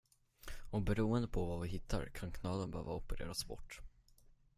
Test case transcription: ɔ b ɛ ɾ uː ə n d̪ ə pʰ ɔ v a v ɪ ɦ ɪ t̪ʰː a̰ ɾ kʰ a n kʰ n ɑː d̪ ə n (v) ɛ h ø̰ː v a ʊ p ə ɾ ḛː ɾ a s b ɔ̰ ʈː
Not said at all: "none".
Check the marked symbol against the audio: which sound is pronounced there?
b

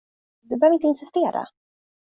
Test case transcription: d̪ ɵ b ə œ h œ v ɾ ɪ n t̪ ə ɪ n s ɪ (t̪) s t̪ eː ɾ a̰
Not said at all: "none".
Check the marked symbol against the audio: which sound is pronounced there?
none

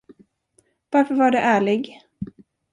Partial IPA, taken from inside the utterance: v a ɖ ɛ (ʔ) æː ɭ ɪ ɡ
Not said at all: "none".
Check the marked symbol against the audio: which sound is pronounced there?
ʔ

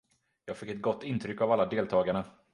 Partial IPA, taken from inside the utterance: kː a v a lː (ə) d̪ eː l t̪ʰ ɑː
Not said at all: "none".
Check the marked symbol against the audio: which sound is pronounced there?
a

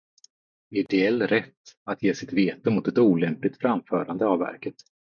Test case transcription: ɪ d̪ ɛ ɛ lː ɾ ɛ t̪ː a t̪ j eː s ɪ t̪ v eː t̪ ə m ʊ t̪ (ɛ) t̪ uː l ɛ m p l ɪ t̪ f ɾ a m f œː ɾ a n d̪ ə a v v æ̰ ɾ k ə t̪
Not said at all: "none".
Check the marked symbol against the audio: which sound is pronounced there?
ɛ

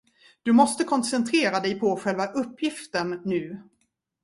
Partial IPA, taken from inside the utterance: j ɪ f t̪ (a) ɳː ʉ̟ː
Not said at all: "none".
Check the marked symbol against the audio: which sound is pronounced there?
ə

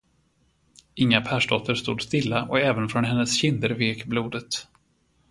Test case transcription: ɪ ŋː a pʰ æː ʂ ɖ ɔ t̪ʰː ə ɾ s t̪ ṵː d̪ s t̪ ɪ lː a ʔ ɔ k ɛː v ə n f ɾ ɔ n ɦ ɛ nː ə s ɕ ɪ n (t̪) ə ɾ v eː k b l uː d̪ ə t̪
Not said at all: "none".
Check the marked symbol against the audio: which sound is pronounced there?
d̪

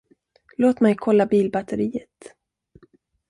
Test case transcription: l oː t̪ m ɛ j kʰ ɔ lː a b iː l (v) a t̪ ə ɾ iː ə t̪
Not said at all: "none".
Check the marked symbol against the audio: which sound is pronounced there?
b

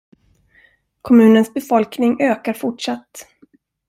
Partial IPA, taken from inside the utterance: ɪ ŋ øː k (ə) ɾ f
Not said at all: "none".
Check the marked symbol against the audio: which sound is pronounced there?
a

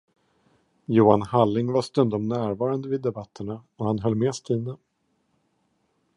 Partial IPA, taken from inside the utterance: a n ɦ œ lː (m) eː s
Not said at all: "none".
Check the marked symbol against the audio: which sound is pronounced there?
m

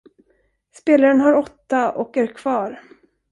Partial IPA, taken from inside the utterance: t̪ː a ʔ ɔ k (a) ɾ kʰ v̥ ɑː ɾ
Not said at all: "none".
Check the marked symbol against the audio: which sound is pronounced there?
æ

